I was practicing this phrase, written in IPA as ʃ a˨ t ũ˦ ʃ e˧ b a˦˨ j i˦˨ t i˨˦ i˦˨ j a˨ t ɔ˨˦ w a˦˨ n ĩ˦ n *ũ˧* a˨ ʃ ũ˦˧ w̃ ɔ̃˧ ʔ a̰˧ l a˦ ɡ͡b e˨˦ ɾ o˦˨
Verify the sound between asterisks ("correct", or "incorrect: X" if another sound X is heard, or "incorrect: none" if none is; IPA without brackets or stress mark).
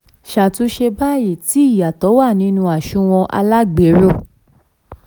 correct